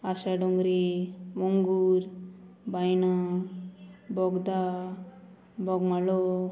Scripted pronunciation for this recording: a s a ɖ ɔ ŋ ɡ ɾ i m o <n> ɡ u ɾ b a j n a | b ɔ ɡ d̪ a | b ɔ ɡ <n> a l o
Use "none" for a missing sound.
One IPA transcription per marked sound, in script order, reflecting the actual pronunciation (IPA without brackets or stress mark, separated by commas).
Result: ŋ, m